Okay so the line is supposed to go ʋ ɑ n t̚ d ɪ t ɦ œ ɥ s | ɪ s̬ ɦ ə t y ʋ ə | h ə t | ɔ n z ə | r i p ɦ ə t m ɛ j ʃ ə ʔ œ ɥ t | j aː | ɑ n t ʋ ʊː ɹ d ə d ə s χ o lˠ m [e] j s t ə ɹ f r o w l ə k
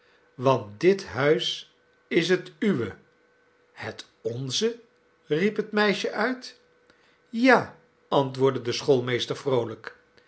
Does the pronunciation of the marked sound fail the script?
no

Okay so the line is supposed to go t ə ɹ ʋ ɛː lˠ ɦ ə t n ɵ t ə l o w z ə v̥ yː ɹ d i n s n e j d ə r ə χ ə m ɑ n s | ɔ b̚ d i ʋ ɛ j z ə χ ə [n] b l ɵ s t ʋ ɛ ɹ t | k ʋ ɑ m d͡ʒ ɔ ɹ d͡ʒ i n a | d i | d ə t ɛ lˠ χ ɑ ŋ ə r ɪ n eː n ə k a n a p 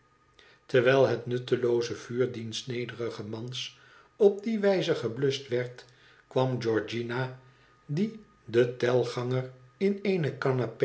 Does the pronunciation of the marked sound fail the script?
yes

